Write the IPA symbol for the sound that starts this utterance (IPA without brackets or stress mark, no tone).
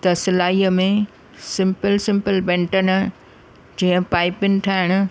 t̪